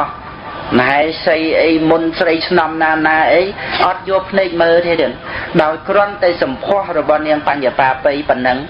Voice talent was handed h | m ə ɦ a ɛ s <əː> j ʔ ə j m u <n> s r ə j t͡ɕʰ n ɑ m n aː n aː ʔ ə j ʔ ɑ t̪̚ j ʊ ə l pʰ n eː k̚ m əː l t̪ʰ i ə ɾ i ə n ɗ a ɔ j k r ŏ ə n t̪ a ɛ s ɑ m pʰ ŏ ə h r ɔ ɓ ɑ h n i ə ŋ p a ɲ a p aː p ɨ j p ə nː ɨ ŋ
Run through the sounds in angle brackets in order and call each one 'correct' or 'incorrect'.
incorrect: ə, correct

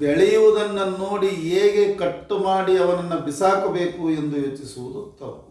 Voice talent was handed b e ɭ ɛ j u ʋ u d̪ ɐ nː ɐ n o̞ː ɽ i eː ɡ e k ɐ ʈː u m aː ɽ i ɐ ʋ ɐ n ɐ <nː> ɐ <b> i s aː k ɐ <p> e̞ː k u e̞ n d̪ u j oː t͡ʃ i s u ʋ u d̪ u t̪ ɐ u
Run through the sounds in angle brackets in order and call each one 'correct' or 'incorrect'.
correct, correct, incorrect: b

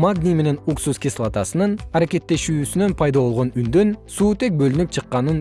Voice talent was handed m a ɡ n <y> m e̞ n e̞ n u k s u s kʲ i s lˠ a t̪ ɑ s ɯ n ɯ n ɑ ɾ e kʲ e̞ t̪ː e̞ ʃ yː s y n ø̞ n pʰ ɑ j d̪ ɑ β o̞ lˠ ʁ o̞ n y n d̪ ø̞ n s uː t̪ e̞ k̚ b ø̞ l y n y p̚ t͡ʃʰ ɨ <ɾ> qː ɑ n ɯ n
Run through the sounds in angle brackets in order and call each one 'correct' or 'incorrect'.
incorrect: i, incorrect: none

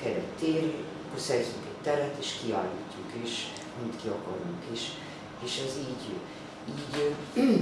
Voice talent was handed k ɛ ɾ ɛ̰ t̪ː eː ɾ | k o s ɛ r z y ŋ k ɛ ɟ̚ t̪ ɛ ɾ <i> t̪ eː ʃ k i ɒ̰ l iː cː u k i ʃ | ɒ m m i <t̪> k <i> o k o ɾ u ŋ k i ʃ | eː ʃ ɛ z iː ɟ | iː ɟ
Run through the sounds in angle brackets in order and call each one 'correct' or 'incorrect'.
incorrect: ɛ, correct, correct

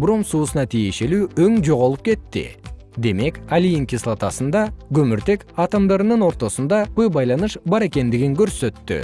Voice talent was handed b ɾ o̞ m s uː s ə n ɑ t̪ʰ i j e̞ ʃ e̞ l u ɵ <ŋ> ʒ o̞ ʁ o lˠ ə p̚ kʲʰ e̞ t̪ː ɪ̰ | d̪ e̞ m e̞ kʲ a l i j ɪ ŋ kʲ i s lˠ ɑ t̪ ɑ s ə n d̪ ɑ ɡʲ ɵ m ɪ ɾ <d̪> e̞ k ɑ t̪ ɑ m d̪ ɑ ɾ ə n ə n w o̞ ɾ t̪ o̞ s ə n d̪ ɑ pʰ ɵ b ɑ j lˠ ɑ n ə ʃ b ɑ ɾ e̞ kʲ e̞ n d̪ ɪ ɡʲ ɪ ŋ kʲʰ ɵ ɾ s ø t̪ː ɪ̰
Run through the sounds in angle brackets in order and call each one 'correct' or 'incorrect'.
correct, incorrect: t̪

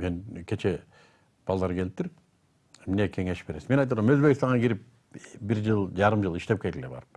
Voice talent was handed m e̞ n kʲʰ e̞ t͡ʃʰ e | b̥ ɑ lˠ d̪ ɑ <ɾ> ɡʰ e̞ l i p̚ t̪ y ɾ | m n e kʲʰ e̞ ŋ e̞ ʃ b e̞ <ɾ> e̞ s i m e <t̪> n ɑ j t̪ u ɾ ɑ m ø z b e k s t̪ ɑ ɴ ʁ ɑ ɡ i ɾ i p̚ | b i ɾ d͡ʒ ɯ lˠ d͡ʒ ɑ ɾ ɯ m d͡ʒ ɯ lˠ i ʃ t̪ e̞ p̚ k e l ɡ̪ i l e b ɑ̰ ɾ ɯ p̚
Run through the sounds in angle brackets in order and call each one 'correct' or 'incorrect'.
correct, correct, incorrect: none

